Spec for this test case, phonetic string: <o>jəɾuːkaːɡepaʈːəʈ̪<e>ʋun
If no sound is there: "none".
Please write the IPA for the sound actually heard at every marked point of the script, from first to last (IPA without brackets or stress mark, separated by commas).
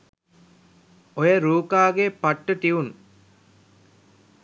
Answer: o, i